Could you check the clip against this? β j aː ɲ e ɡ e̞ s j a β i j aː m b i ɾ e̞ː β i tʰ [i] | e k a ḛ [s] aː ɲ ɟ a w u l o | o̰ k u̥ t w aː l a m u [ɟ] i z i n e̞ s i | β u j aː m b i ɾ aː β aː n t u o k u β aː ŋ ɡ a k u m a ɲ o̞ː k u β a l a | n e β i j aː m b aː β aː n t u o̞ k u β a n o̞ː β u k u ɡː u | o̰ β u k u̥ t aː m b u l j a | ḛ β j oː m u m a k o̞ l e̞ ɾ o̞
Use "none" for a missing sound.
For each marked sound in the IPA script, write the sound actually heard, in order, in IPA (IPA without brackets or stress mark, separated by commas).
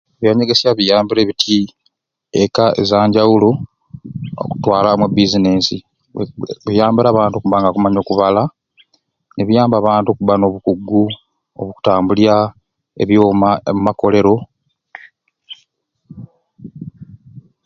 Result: i, z, b